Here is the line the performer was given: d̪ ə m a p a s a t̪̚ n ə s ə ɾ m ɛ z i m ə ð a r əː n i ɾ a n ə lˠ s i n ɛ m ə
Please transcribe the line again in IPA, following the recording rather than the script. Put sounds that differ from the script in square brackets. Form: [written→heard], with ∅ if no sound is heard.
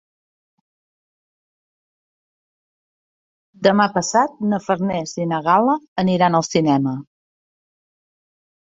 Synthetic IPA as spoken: d̪ ə m a p [a→ə] s a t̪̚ n ə [s→f] ə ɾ [m→n] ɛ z i [m→n] ə [ð→ɣ] a [r→l] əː n i ɾ a n ə lˠ s i n ɛ m ə